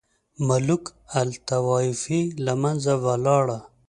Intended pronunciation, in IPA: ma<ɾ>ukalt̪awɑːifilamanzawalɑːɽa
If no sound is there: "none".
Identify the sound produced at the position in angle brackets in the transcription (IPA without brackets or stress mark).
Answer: l